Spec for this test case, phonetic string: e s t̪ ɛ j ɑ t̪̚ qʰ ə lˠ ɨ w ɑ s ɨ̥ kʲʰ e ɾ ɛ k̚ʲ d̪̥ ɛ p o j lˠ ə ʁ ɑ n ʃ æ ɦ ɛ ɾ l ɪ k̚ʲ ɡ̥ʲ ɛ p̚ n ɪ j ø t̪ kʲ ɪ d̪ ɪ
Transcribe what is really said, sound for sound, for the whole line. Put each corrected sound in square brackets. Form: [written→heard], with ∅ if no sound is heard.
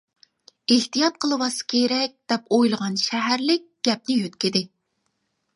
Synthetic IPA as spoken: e [s→h] t̪ [ɛ→i] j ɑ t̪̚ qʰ ə lˠ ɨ w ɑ s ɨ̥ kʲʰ e ɾ ɛ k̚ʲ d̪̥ ɛ p o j lˠ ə ʁ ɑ n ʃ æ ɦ [ɛ→æ] ɾ l ɪ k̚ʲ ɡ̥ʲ ɛ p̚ n ɪ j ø t̪ kʲ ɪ d̪ ɪ